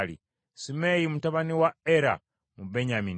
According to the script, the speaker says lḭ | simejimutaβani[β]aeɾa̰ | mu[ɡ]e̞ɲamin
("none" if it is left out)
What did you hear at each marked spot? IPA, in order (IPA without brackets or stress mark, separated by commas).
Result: w, b